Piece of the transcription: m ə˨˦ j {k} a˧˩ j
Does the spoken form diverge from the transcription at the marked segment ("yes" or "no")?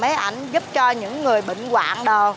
yes